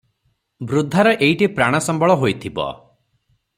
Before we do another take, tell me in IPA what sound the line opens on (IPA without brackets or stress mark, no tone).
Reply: b